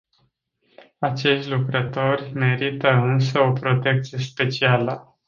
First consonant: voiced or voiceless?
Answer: voiceless